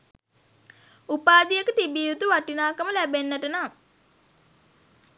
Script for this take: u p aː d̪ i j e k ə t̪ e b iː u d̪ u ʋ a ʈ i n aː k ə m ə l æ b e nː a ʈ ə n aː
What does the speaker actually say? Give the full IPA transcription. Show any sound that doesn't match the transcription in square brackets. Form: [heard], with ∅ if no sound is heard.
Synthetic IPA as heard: u p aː d̪ i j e k ə t̪ [i] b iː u [t̪] u ʋ a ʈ i n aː k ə m ə l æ b e nː [ə] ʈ ə n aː

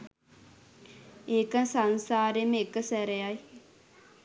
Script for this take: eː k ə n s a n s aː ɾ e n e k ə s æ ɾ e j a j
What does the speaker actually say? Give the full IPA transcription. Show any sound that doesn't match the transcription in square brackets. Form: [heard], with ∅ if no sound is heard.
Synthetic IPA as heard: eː k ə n s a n s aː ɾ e [m] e k ə s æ ɾ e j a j

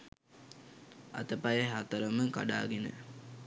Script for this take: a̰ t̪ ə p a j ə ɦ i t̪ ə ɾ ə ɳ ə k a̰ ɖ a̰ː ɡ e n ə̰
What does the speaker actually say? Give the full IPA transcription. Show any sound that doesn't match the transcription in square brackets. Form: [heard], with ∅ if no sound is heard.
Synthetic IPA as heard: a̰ t̪ ə p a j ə ɦ [a] t̪ ə ɾ ə [m] ə k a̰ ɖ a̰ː ɡ e n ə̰

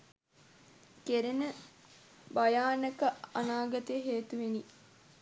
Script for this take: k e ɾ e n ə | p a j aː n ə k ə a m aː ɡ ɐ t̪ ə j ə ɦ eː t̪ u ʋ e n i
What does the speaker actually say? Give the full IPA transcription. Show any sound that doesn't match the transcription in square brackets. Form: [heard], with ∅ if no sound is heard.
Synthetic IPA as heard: k e ɾ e n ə | [b] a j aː n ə k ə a [n] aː ɡ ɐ t̪ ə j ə ɦ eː t̪ u ʋ e n i

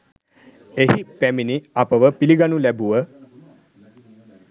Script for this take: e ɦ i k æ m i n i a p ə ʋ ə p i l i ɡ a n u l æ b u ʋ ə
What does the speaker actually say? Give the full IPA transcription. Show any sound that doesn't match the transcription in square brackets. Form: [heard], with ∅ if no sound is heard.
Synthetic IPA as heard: e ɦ i [p] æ m i n i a p ə ʋ ə p i l i ɡ a n u l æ b u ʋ ə

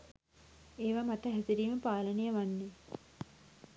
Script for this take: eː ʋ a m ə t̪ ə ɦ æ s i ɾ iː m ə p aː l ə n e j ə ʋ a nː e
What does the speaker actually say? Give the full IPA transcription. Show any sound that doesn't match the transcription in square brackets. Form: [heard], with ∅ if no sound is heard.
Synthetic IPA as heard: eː ʋ a m [a] t̪ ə ɦ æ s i ɾ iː m ə p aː l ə n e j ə ʋ a nː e

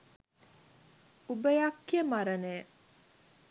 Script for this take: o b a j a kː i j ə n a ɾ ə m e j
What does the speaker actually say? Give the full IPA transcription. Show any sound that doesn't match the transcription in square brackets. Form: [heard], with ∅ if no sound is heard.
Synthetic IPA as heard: [u] b [ə] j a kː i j ə [m] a ɾ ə [n] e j

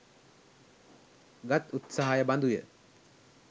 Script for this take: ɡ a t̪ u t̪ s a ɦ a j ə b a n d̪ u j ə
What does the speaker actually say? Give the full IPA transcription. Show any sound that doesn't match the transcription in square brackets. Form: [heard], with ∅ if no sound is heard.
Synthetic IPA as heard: ɡ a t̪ u t̪ s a ɦ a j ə b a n d̪ u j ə

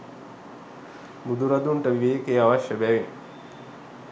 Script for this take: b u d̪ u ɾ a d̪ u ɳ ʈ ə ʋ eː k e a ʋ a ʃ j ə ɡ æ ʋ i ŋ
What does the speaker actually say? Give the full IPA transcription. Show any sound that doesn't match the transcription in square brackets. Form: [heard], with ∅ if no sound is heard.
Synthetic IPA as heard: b u d̪ u ɾ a d̪ u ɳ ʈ ə ʋ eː k e a ʋ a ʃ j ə [b] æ ʋ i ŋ

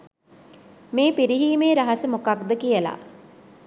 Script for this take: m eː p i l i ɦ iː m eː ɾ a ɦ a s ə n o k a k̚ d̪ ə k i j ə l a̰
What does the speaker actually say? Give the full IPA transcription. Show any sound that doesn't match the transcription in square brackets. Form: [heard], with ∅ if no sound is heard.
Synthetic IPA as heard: m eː p i [ɾ] i ɦ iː m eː ɾ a ɦ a s ə [m] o k a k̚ d̪ ə k i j ə l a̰

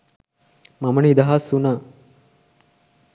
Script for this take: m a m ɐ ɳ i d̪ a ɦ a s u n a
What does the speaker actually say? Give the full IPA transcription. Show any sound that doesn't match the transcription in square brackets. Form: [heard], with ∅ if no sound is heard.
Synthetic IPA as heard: m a m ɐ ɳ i d̪ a ɦ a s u n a

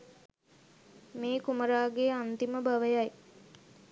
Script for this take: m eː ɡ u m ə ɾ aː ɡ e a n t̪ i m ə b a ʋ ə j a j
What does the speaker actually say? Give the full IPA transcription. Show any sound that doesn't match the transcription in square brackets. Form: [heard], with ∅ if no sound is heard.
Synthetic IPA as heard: m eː [k] u m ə ɾ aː ɡ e a n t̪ i m ə b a ʋ ə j a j

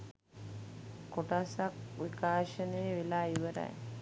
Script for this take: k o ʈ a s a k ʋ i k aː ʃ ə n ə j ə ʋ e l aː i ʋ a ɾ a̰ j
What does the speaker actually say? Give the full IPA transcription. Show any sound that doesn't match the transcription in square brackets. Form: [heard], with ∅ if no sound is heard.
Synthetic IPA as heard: k o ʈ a s a k ʋ i k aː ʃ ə n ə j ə ʋ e l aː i ʋ [ə] ɾ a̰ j

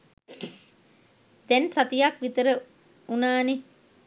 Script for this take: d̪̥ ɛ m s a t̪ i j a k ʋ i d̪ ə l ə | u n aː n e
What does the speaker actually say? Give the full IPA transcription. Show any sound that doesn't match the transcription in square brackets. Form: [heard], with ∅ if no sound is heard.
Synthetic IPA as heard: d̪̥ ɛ [n] s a t̪ i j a k ʋ i [t̪] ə [ɾ] ə | u n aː n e

